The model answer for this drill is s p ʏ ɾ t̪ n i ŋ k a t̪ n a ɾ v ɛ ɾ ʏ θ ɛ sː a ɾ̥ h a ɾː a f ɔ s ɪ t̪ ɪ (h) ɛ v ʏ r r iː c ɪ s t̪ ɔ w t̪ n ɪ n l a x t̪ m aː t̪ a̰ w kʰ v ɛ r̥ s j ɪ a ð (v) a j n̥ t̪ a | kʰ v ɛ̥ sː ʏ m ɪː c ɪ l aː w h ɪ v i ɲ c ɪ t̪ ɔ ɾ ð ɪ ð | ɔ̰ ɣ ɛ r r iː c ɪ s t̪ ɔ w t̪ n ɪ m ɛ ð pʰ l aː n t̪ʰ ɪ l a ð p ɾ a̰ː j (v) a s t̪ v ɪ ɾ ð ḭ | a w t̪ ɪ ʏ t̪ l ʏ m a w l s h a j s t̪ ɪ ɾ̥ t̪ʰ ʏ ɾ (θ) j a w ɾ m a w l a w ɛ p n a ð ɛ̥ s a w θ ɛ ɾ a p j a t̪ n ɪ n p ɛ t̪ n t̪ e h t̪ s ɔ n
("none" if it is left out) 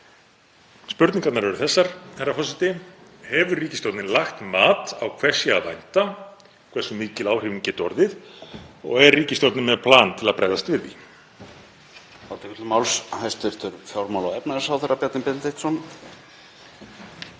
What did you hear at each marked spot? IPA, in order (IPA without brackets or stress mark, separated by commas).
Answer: h, v, ð, f